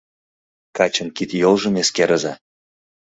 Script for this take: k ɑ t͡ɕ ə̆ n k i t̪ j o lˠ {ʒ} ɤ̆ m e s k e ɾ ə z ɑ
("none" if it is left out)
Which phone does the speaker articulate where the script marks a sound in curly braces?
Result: ʒ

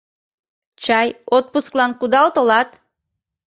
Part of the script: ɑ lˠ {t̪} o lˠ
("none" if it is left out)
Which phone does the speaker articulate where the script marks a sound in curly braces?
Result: t̪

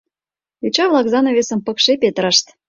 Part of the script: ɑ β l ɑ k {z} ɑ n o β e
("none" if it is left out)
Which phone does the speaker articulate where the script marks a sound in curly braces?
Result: z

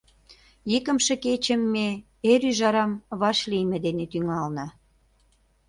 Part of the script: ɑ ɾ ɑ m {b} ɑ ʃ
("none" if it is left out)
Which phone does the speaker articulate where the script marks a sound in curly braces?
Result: β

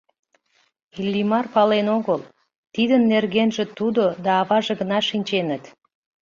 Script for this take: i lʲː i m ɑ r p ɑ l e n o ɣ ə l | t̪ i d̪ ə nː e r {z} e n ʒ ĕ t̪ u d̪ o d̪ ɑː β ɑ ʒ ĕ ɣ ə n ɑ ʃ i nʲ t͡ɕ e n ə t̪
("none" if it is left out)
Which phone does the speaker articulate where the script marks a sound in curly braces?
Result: ɣ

